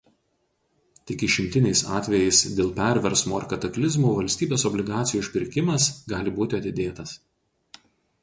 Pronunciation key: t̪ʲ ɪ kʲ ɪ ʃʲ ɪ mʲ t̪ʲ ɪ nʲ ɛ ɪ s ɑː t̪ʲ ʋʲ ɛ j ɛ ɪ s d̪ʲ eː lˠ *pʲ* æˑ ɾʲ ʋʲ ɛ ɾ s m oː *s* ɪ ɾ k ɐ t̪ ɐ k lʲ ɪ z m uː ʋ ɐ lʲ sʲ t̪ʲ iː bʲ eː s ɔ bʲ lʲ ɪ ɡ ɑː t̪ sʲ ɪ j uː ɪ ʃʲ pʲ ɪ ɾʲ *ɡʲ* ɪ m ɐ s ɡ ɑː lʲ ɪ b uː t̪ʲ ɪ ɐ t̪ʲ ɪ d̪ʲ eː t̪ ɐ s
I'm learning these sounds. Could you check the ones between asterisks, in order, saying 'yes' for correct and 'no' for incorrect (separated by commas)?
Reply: yes, no, no